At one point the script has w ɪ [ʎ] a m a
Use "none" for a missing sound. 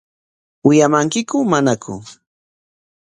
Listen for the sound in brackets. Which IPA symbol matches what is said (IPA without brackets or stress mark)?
j